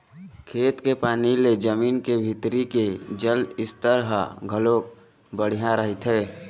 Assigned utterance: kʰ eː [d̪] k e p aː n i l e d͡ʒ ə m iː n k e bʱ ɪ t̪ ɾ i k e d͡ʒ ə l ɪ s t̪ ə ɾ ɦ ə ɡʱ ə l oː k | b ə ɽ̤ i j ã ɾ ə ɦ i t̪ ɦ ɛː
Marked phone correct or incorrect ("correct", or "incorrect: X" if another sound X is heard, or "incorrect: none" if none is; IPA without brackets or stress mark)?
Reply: incorrect: t̪